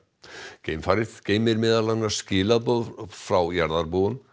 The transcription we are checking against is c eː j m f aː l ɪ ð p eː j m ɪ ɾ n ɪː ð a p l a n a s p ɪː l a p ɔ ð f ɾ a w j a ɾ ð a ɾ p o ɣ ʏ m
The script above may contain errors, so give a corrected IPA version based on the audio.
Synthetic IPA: c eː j m f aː ɾ ɪ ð c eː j m ɪ ɾ m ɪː ð a l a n a s c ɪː l a p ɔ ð f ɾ a w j a ɾ ð a ɾ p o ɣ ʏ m